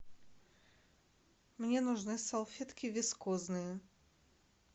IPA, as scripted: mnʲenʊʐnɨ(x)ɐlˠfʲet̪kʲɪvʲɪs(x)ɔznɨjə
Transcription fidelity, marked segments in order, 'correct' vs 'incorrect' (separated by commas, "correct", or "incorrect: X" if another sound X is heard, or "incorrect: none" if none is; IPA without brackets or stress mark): incorrect: s, incorrect: k